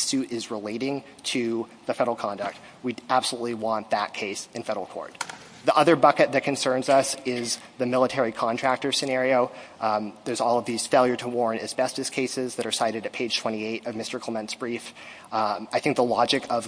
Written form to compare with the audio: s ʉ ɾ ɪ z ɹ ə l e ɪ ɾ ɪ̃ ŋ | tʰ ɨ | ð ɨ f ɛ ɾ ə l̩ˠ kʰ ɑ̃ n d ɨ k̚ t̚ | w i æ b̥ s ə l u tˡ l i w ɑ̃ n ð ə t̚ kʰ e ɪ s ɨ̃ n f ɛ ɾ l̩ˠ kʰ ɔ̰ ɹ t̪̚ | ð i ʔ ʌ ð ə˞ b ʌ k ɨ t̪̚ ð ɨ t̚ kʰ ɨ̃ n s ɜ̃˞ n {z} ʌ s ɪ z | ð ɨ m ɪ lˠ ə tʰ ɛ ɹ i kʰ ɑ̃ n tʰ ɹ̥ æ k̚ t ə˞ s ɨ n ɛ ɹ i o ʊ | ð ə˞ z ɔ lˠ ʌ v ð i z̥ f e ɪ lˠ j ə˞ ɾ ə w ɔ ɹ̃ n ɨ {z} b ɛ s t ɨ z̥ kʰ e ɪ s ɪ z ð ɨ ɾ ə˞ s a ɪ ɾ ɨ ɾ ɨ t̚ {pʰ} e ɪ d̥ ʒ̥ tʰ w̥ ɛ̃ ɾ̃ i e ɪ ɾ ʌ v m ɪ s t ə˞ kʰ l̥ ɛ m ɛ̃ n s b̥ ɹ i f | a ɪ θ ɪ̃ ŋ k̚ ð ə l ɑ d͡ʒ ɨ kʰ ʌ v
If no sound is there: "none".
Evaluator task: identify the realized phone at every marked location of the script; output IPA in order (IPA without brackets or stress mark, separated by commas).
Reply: z, z, pʰ